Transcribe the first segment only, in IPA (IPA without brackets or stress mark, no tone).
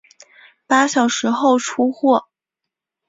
p